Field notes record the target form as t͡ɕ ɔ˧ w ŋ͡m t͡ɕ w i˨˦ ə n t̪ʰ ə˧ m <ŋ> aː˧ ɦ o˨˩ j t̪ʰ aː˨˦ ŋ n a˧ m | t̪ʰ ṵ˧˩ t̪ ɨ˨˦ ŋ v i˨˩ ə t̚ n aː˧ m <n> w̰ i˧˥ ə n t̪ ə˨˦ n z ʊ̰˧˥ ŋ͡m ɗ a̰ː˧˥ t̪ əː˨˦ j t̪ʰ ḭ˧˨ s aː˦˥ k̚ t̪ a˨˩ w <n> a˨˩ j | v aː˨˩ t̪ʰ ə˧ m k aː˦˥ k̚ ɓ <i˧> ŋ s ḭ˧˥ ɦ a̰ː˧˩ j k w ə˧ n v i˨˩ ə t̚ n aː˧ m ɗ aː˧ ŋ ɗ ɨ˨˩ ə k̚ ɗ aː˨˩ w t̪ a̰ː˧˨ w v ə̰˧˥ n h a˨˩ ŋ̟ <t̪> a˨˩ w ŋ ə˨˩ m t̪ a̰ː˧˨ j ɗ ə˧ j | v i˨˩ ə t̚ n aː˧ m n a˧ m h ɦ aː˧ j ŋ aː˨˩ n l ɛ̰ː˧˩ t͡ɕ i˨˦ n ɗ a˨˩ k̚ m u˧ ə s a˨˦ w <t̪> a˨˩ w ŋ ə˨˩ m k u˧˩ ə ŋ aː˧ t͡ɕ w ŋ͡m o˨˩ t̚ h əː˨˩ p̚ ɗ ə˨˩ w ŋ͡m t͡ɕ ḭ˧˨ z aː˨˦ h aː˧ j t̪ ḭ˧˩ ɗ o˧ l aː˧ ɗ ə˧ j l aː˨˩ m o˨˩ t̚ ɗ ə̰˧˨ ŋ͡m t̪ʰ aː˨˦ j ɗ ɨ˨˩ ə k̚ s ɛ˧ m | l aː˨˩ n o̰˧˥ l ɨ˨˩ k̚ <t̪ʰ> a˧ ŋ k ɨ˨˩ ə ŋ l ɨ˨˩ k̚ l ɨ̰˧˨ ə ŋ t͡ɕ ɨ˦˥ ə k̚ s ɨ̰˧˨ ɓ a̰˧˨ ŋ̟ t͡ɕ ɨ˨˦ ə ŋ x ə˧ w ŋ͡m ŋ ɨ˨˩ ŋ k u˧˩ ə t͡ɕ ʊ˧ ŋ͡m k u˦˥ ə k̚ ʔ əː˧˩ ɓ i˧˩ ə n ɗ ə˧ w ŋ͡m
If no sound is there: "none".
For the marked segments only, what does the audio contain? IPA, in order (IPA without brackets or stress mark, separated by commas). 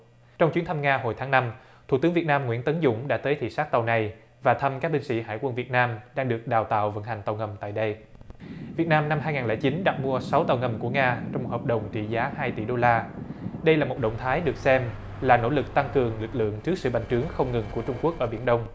ŋ, ŋ, n, i˧, t̪, t̪, t̪